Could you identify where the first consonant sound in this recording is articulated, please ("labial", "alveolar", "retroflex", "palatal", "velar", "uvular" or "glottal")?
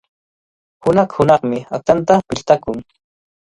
glottal